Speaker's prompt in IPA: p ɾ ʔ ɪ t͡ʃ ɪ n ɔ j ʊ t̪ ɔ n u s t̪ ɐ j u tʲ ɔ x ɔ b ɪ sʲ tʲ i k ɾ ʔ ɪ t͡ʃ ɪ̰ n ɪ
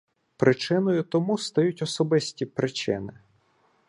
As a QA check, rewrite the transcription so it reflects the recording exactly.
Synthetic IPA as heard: p ɾ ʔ ɪ t͡ʃ ɪ n ɔ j ʊ t̪ ɔ m u s t̪ ɐ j u tʲ ɔ s ɔ b ɪ sʲ tʲ i p ɾ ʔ ɪ t͡ʃ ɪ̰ n ɪ